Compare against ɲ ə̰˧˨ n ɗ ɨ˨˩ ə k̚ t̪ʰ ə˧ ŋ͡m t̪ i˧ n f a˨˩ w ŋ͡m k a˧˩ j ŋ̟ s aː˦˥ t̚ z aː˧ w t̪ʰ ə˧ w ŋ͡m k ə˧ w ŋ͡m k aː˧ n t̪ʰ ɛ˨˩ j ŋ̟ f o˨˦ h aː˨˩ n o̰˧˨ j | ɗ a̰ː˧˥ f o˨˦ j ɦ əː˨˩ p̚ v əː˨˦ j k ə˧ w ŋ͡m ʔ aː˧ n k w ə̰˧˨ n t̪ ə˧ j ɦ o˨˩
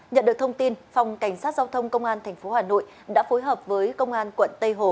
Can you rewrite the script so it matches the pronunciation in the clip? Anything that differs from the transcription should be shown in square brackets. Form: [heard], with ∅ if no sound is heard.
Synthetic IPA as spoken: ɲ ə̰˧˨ n ɗ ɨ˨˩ ə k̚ t̪ʰ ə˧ ŋ͡m t̪ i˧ n f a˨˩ w ŋ͡m k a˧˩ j ŋ̟ s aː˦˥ t̚ z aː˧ w t̪ʰ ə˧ w ŋ͡m k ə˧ w ŋ͡m [ʔ] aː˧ n t̪ʰ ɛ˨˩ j ŋ̟ f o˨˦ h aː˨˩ n o̰˧˨ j | ɗ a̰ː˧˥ f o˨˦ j ɦ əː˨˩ p̚ v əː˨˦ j k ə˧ w ŋ͡m ʔ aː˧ n k w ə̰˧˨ n t̪ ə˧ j ɦ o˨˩